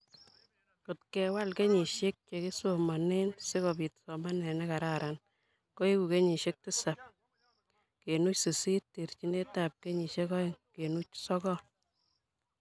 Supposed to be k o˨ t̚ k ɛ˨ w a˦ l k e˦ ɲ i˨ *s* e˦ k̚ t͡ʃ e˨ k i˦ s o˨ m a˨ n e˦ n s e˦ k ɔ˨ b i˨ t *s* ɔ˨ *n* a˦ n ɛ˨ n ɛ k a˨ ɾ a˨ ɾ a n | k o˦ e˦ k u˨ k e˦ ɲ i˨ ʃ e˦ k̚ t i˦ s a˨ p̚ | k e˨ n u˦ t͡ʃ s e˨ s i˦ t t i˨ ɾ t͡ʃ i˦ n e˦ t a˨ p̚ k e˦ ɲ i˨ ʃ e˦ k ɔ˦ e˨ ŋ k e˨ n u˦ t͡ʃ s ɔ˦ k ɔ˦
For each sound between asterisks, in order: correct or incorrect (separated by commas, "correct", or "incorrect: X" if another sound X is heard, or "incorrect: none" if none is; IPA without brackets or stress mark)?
incorrect: ʃ, correct, incorrect: m